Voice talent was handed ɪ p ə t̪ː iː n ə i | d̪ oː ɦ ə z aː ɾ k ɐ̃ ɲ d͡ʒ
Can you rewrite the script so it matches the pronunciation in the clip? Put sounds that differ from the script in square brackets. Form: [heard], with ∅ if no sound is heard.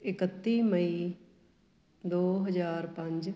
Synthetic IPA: ɪ [k] ə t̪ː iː [m] ə i | d̪ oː ɦ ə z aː ɾ [p] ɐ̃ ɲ d͡ʒ